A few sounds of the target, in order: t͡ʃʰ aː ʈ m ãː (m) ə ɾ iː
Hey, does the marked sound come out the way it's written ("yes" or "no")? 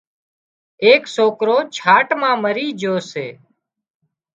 yes